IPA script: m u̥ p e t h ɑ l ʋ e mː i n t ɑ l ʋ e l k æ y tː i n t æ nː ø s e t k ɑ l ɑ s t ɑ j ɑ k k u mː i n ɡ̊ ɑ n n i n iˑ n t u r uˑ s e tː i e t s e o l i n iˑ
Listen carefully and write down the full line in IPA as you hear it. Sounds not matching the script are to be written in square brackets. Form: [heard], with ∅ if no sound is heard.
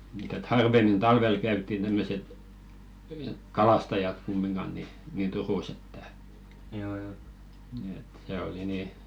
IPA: m u̥ [t] e t h ɑ [r] ʋ e mː i n t ɑ l ʋ e l k æ y tː i n t æ [mː] ø s e t k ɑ l ɑ s t ɑ j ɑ [t] k u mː i n ɡ̊ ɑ n n i n iˑ n t u r uˑ s e tː [æ] e t s e o l i n iˑ